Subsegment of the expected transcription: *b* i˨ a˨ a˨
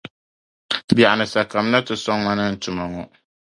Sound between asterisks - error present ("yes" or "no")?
no